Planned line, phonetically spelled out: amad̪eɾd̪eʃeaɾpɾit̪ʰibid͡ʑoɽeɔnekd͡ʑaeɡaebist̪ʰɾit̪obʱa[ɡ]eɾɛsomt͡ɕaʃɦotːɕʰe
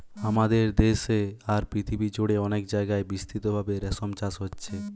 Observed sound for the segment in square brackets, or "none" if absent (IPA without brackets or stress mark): b